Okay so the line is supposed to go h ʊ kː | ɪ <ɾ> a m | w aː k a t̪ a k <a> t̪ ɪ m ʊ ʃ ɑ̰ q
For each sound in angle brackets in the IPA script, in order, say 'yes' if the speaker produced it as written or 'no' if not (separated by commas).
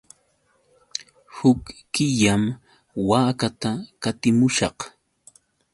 no, yes